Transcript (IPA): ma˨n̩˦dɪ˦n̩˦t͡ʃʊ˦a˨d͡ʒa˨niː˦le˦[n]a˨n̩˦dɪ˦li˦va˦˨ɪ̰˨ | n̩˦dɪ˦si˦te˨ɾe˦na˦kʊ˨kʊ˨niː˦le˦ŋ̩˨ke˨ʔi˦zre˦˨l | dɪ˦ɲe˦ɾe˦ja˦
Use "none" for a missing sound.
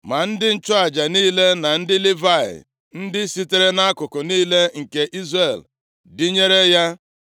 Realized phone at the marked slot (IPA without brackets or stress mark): n